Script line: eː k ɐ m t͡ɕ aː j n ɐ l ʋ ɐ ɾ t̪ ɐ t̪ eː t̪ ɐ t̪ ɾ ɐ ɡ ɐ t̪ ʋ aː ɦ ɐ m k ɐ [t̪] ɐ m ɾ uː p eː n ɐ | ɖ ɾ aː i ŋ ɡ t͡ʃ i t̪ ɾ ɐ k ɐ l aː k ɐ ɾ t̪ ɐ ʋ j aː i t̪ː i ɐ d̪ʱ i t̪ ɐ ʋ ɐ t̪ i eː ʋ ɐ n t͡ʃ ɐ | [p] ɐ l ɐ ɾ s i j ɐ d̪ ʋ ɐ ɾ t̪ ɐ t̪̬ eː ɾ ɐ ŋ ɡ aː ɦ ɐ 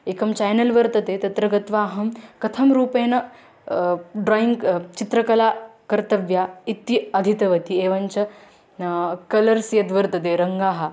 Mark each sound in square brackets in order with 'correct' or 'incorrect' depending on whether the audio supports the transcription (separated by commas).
incorrect, incorrect